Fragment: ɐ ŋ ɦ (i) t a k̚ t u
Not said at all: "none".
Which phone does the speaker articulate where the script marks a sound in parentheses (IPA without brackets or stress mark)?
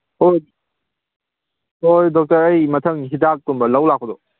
i